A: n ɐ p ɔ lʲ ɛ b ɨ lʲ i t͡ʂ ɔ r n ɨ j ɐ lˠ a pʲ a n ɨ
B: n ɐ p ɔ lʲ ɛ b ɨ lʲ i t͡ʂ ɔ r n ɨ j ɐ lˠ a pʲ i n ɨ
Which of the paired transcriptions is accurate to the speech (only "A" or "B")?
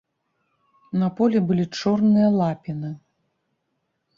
B